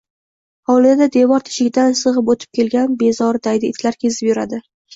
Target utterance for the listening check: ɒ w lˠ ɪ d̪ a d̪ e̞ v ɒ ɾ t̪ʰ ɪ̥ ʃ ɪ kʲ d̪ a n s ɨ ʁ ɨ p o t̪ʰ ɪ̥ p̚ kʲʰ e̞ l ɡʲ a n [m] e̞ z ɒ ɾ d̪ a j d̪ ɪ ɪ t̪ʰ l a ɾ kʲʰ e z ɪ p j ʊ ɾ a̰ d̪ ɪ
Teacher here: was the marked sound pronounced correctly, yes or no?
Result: no